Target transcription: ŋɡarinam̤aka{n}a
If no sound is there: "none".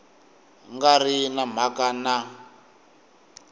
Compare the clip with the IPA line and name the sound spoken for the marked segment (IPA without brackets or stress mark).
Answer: n